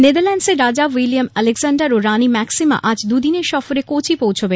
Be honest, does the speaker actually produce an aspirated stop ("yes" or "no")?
yes